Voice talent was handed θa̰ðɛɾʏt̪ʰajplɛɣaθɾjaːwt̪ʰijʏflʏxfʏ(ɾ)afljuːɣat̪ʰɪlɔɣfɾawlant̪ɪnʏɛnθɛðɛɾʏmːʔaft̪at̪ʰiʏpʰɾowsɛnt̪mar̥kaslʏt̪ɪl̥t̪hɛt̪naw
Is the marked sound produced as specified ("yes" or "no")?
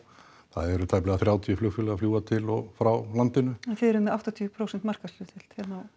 no